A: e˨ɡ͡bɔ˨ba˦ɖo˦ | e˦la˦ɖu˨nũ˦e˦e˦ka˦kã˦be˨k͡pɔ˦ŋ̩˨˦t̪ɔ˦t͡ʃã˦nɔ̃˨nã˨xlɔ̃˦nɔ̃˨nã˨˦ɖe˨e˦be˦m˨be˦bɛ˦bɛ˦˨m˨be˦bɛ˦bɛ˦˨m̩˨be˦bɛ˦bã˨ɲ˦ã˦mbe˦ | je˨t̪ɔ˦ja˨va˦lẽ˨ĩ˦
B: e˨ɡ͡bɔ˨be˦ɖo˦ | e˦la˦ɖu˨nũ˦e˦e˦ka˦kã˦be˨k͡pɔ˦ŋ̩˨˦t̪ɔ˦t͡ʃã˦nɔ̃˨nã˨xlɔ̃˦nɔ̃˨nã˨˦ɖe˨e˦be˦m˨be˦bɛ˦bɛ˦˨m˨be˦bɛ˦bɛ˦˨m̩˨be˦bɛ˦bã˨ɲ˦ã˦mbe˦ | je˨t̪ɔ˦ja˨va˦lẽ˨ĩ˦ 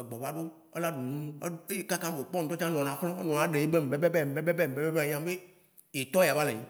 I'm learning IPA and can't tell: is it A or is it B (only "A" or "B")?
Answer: A